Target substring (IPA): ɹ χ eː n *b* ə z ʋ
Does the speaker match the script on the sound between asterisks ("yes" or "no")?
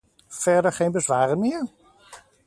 yes